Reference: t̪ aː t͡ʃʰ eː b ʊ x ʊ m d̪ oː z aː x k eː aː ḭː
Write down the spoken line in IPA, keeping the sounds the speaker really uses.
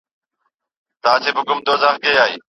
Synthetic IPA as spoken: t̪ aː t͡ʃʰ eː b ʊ k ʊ m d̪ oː z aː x k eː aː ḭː